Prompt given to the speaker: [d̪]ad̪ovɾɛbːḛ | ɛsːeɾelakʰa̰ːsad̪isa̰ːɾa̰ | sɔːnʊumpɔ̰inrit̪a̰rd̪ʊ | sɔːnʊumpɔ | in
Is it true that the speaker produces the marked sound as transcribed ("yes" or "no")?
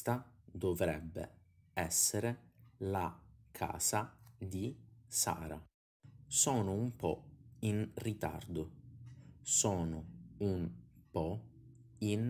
no